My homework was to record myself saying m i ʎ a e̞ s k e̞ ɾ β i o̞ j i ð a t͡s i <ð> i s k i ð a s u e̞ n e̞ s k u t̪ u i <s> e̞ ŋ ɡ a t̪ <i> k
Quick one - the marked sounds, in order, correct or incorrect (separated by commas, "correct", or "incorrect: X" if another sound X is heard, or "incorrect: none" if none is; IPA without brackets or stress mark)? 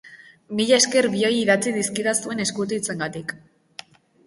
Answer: correct, incorrect: t͡s, correct